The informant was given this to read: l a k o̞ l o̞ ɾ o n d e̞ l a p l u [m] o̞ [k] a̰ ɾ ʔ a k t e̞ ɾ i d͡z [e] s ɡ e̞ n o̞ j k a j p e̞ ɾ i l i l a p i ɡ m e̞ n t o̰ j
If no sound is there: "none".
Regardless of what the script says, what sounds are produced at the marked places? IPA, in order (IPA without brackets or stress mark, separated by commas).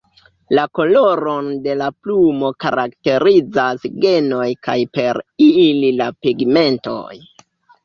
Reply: m, k, a